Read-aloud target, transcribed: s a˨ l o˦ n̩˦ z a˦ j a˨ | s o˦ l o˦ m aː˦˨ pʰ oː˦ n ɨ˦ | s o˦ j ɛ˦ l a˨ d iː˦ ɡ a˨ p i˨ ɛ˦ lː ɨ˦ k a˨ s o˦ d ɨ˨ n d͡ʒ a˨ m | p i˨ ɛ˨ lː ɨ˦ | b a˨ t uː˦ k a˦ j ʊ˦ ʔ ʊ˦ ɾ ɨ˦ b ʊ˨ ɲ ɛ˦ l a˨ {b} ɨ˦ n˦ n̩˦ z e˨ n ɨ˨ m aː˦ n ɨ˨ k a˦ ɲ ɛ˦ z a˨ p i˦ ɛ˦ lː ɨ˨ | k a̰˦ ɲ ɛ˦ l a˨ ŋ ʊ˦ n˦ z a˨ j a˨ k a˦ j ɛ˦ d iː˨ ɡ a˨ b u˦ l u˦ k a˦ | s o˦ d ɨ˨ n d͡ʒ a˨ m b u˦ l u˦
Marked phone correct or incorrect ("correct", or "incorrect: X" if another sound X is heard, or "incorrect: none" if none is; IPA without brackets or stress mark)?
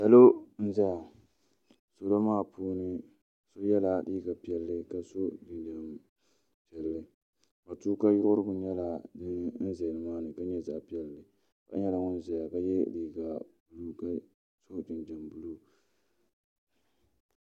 incorrect: d